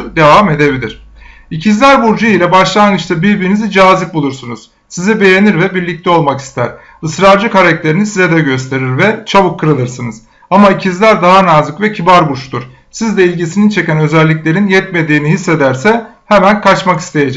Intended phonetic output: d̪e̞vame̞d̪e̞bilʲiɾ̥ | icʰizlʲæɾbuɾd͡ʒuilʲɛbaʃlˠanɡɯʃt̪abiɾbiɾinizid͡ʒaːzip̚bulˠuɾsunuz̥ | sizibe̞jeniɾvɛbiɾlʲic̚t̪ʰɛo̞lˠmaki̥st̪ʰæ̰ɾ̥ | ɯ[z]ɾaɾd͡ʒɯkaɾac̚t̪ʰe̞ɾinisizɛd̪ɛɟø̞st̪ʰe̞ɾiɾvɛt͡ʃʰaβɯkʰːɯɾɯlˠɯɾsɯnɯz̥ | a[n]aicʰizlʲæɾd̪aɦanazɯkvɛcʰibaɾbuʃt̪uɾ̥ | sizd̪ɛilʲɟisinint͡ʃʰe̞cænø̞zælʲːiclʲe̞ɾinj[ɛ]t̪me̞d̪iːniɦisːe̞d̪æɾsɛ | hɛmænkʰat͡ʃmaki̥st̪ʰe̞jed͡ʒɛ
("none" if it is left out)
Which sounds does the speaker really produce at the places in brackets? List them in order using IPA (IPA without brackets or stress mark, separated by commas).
s, m, ɛ